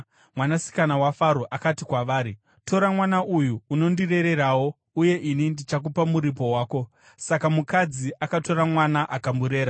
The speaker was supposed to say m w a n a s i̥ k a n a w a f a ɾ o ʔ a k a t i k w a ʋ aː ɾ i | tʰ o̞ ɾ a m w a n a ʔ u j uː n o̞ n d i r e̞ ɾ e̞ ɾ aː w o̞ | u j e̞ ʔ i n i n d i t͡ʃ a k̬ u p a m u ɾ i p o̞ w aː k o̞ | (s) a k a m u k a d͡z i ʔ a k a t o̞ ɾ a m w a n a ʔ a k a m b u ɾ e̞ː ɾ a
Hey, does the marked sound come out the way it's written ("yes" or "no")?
yes